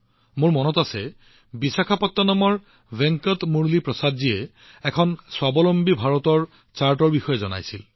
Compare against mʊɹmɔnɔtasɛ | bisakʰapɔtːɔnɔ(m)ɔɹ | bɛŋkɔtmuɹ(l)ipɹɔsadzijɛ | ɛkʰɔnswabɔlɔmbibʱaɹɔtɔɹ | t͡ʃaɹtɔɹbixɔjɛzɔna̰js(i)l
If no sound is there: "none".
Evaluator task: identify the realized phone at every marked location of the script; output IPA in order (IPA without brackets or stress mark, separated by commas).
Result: m, l, i